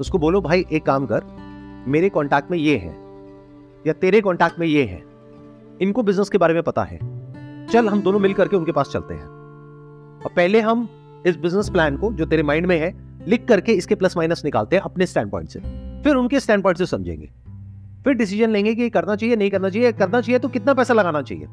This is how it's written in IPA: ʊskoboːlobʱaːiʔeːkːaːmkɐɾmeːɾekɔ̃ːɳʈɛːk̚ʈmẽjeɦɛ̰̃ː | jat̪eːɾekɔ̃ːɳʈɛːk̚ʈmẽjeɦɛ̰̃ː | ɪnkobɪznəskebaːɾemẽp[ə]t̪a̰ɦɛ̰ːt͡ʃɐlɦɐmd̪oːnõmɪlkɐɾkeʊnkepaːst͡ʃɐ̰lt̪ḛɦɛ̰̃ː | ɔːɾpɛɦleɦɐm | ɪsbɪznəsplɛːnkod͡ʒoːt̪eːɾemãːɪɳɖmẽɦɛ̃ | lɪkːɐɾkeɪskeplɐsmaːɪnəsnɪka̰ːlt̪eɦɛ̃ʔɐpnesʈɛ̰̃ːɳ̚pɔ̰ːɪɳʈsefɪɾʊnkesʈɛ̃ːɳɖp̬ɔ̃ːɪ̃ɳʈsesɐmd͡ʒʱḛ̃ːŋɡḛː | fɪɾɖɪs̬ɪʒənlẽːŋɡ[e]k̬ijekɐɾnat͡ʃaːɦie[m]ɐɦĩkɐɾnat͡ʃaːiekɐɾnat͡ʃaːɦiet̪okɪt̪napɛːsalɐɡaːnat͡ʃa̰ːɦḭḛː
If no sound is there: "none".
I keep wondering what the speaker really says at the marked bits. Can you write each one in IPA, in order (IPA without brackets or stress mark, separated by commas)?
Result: ɐ, e, n